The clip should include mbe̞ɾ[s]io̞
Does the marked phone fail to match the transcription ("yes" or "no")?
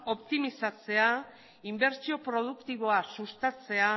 yes